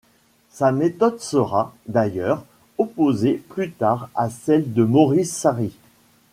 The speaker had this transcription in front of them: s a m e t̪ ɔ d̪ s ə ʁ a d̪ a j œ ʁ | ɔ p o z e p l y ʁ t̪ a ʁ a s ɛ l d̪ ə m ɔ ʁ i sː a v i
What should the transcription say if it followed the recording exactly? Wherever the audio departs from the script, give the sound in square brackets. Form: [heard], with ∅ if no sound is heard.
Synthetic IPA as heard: s a m e t̪ ɔ d̪ s ə ʁ a d̪ a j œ ʁ | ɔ p o z e p l y [∅] t̪ a ʁ a s ɛ l d̪ ə m ɔ ʁ i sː a [ʁ] i